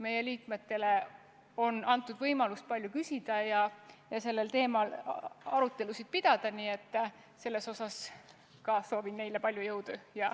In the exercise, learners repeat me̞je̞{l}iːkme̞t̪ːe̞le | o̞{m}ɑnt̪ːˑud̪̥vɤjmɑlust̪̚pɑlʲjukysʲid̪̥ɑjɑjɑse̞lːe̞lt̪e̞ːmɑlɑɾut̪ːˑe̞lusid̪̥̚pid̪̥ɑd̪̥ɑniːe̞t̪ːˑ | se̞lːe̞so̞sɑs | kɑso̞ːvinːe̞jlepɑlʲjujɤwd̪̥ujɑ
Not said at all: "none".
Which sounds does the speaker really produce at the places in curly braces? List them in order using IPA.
l, n

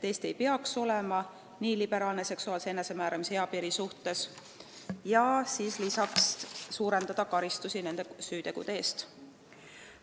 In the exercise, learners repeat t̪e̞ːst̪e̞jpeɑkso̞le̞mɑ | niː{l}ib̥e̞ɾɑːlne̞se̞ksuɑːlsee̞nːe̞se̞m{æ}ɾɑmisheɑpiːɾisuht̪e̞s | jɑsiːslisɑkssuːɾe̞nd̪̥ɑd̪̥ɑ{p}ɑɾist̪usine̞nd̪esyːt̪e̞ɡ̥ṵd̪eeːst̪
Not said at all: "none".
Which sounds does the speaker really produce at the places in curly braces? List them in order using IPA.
l, æː, k

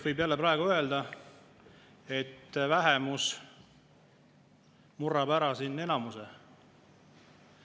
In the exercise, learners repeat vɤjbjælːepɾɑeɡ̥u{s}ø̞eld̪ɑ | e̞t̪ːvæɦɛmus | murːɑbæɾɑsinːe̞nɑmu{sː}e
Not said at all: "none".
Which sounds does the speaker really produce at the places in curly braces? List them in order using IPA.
none, s

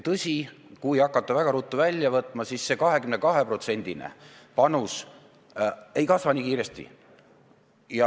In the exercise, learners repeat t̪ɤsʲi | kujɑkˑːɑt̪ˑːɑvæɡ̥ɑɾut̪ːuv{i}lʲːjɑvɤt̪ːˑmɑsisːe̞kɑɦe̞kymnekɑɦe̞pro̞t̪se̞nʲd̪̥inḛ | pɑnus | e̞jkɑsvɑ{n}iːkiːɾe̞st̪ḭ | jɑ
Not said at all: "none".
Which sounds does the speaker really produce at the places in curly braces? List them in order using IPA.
æ, n

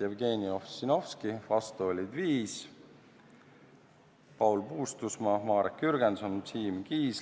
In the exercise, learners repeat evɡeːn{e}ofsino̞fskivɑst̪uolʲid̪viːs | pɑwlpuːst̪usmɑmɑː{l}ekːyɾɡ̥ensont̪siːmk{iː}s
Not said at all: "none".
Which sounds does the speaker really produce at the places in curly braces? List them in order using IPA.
i, ɾ, iː

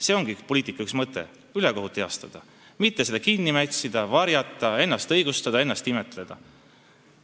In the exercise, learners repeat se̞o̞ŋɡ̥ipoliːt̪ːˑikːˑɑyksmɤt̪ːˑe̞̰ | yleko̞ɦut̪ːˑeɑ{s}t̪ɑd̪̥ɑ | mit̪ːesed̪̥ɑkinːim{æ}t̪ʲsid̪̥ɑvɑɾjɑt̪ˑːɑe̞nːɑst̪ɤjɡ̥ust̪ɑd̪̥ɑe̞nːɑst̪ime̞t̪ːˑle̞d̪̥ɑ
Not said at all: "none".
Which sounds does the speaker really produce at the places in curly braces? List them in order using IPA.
s, æ

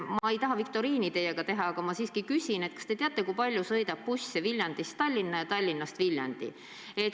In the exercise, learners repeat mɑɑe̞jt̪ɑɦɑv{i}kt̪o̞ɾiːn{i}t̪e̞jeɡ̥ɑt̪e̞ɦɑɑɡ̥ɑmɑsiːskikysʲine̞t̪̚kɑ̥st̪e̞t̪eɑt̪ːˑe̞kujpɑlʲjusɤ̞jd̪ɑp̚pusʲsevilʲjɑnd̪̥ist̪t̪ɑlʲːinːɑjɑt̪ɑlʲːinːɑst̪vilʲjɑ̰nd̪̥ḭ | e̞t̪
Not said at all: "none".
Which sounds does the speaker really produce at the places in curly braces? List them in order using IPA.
i, i

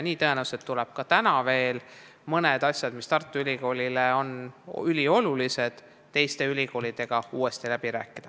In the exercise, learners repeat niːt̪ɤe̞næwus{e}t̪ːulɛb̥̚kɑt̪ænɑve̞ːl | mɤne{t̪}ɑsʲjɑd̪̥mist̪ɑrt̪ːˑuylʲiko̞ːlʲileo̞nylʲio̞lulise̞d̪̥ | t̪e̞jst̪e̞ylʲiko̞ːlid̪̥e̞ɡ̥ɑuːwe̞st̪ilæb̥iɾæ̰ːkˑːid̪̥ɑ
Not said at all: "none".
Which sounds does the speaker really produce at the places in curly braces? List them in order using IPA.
e, d̪

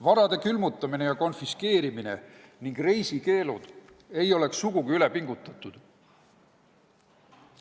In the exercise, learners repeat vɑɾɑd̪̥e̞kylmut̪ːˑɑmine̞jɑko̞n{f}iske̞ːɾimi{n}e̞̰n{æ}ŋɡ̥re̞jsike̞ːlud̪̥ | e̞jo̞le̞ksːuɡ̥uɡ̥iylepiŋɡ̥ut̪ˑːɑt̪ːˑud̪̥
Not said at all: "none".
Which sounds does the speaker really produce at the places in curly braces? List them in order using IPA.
f, n, i

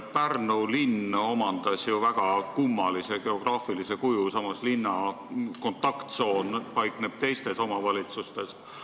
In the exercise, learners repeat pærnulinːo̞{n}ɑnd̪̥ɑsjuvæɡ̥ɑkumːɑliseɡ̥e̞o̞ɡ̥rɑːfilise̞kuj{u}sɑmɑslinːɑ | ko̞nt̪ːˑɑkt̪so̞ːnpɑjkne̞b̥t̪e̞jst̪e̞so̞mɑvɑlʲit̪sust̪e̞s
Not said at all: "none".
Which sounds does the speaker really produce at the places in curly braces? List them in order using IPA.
m, u

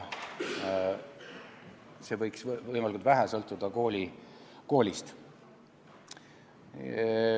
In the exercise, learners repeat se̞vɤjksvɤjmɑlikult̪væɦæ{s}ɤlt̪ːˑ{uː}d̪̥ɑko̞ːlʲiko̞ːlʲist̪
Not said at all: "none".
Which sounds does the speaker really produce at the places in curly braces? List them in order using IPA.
s, u

